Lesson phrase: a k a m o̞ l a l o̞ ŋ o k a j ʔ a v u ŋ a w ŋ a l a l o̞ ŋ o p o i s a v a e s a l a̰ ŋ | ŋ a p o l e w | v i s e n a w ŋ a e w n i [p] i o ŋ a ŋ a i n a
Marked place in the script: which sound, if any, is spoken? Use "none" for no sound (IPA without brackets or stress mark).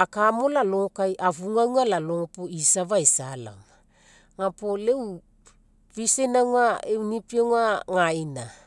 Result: p